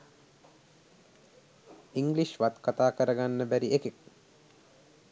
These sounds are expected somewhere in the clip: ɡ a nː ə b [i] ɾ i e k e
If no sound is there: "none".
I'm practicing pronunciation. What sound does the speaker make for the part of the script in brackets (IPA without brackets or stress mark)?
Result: æ